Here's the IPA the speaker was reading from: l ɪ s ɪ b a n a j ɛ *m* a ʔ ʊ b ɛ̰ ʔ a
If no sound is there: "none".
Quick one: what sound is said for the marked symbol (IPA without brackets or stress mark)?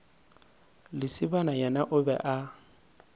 n